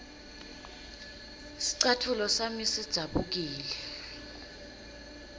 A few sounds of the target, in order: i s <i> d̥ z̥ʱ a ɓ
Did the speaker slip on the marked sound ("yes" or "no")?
no